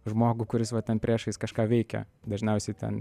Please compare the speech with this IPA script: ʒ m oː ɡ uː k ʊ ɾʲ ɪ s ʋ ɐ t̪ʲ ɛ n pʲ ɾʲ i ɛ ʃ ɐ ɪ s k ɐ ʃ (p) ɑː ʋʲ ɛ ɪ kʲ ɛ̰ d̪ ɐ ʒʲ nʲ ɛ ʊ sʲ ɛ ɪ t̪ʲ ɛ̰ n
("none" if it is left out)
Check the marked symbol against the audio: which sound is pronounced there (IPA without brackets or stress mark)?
k